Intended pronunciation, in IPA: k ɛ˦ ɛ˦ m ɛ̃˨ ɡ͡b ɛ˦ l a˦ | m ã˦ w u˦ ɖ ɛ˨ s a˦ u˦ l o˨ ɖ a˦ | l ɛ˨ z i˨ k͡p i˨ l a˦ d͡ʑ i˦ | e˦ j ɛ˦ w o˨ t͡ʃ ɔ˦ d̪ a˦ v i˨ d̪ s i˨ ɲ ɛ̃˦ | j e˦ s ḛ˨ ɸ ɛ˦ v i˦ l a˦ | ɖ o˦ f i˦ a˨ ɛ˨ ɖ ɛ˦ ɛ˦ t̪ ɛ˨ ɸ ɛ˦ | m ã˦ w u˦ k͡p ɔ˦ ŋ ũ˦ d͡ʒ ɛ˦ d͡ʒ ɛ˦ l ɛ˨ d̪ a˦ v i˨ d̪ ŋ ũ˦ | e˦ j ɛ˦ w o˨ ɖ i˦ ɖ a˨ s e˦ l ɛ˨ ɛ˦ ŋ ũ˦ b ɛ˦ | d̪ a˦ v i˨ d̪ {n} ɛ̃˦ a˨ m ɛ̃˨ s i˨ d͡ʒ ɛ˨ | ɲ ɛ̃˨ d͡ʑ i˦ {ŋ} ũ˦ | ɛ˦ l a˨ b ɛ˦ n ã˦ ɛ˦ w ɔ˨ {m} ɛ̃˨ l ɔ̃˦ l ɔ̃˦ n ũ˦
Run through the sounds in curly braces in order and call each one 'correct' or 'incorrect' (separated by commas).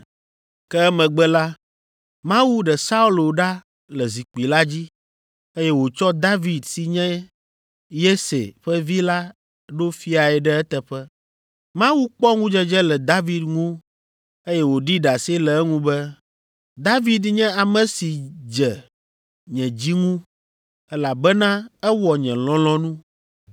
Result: incorrect, correct, incorrect